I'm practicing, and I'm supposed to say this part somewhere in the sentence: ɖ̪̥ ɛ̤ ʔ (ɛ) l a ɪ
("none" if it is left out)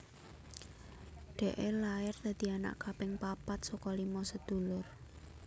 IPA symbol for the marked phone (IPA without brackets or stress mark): e